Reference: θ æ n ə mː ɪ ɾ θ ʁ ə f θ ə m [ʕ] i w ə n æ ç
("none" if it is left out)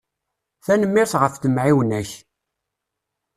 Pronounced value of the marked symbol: ʕ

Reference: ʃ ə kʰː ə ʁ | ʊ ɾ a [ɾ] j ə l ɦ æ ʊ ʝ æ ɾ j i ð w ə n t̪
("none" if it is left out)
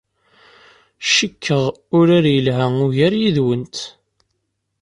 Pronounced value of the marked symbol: ɾ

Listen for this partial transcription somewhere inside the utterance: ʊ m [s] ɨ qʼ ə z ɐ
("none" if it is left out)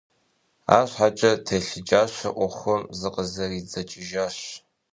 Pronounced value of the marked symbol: z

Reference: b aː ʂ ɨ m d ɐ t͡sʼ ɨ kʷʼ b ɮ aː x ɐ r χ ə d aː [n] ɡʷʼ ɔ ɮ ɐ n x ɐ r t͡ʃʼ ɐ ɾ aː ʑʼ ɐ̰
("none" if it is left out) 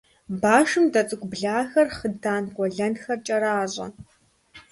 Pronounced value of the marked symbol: n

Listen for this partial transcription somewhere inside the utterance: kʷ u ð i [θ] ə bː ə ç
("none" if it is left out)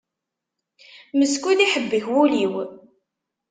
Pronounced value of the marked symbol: ħ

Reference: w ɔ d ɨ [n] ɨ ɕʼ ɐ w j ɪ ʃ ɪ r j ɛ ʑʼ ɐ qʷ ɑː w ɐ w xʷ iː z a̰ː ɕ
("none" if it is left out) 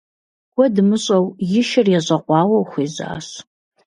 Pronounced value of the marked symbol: m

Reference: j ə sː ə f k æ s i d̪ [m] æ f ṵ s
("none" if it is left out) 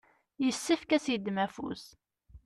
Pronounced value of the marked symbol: m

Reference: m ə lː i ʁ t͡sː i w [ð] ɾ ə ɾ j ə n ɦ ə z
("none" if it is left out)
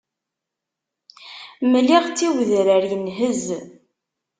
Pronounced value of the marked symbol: ð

